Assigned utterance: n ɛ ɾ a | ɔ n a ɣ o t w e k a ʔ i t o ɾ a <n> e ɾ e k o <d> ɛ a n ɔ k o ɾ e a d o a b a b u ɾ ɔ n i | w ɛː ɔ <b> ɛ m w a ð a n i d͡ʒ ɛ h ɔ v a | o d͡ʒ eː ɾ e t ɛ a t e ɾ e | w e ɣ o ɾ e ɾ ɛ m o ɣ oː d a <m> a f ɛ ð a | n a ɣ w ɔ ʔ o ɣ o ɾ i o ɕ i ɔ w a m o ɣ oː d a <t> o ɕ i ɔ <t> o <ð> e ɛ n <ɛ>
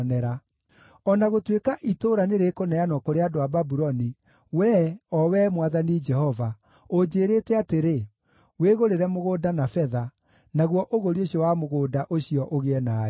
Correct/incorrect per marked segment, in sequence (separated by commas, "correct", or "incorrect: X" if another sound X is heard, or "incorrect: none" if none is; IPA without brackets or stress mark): correct, incorrect: n, incorrect: w, incorrect: n, incorrect: ʔ, incorrect: ʔ, incorrect: ɣ, incorrect: a